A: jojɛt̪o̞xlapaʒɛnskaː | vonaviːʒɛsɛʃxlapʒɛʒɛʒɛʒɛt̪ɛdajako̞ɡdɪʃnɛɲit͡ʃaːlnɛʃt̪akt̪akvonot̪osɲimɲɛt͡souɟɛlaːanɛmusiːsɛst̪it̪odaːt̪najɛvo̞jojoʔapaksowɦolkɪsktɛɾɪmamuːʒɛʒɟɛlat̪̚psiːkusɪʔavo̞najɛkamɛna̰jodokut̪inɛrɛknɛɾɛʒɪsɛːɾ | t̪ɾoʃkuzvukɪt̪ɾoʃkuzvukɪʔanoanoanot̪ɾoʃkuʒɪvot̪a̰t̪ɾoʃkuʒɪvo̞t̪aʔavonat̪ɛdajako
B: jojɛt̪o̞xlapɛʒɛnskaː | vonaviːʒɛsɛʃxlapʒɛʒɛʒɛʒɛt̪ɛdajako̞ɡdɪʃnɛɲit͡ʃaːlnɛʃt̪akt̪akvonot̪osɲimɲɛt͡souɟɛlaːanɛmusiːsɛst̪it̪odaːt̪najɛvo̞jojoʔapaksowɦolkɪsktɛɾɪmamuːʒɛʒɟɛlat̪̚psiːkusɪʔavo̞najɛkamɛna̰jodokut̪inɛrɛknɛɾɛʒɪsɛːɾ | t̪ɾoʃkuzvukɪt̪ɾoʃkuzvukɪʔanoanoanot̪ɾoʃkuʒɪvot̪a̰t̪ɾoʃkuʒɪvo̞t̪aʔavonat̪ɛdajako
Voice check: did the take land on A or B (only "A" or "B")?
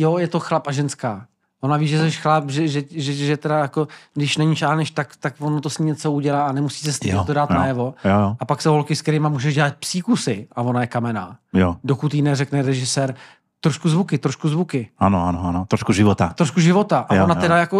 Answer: A